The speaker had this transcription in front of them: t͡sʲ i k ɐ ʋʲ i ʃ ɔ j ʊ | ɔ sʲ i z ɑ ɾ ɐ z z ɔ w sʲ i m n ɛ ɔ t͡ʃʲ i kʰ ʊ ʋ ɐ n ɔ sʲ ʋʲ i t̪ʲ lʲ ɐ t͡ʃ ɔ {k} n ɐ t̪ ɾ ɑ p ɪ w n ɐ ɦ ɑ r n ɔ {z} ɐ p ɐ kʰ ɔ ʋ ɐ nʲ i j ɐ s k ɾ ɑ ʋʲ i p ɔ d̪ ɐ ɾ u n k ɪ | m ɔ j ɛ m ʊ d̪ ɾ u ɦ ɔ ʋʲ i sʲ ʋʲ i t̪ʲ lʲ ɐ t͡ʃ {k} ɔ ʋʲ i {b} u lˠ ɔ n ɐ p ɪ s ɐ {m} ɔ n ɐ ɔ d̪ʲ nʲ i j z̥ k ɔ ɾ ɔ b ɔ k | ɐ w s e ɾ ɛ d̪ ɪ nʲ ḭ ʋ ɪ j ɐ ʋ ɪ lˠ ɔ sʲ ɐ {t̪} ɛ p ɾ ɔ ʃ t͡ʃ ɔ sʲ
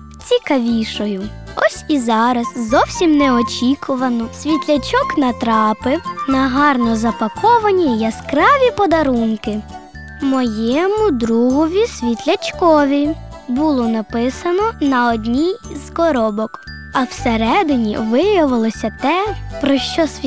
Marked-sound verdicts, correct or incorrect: correct, correct, correct, correct, incorrect, correct

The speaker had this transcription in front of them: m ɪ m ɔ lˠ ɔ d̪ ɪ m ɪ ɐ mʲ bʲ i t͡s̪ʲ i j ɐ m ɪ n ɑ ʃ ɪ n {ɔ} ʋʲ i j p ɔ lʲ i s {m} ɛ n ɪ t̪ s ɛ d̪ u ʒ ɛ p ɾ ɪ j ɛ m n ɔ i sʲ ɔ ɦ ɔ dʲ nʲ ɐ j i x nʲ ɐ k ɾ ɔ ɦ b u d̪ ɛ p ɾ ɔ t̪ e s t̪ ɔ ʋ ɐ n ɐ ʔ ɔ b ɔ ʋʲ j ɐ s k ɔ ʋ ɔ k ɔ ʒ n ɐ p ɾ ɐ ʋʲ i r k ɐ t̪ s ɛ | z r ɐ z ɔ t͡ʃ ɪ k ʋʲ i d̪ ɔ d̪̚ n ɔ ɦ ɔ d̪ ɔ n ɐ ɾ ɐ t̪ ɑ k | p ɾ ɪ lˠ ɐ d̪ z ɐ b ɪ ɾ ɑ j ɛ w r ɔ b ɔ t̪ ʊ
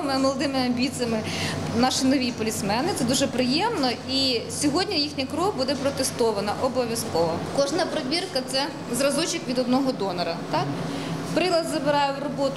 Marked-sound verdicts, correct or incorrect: correct, correct

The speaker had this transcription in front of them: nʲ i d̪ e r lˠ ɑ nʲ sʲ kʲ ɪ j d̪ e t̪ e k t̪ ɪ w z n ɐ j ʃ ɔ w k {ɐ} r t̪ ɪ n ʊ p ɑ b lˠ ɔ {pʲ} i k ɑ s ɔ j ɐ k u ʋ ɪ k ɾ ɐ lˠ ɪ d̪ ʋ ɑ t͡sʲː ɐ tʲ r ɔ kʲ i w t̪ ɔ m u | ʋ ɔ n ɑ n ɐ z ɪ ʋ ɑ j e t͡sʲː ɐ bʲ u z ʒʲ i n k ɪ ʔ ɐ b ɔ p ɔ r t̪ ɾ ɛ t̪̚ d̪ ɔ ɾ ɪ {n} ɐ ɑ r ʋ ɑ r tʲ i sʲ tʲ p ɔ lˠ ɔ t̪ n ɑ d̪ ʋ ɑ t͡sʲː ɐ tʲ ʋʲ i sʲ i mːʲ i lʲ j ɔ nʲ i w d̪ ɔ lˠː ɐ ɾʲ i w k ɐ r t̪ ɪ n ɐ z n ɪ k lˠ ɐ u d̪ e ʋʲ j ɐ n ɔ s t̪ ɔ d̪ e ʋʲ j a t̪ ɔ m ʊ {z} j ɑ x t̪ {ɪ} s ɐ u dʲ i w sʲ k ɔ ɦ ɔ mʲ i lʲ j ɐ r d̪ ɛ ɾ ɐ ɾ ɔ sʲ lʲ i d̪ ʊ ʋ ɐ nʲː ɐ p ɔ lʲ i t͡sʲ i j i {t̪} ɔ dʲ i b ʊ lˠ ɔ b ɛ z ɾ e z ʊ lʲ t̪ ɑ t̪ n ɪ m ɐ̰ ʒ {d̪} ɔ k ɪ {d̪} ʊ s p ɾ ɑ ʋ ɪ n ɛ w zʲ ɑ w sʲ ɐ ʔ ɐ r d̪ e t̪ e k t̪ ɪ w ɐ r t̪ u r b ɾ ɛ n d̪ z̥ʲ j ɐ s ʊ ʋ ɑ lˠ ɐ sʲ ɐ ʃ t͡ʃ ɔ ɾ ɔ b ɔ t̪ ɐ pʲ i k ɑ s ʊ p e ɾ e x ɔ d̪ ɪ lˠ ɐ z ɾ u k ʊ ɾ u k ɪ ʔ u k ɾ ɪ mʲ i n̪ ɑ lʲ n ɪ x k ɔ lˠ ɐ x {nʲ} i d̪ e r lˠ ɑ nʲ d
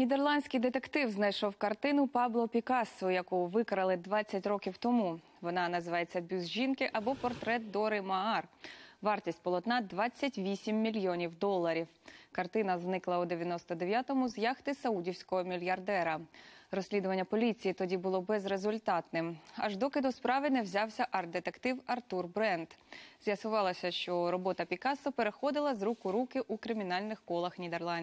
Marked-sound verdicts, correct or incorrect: correct, correct, incorrect, correct, correct, correct, correct, correct, correct

